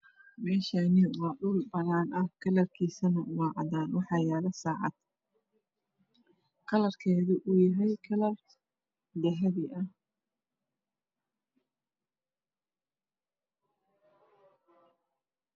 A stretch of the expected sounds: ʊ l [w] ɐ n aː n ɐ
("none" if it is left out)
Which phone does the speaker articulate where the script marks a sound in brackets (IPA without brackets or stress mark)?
b